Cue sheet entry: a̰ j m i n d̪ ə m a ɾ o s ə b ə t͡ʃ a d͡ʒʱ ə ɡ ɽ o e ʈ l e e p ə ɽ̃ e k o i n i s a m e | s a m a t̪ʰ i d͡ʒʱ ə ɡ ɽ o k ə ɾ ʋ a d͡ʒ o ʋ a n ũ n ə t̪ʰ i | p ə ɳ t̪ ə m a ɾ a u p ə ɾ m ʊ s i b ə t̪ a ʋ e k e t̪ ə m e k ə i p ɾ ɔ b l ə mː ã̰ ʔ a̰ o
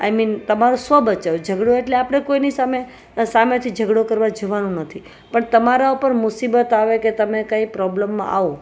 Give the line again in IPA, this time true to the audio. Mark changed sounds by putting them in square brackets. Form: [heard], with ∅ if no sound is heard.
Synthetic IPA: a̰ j m i n [t̪] ə m a ɾ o s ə b ə t͡ʃ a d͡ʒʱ ə ɡ ɽ o e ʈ l e [a] p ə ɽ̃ e k o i n i s a m e | s a m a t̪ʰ i d͡ʒʱ ə ɡ ɽ o k ə ɾ ʋ a d͡ʒ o ʋ a n ũ n ə t̪ʰ i | p ə ɳ t̪ ə m a ɾ a u p ə ɾ m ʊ s i b ə t̪ a ʋ e k e t̪ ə m e k [a] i p ɾ ɔ b l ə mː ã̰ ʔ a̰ o